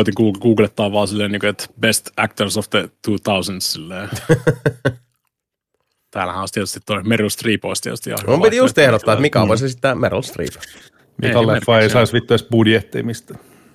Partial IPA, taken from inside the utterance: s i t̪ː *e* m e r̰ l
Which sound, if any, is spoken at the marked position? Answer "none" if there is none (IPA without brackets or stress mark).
æ